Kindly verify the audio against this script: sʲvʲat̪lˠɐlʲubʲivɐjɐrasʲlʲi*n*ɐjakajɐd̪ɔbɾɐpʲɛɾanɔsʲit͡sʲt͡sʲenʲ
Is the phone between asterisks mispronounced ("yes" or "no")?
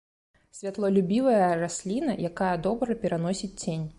no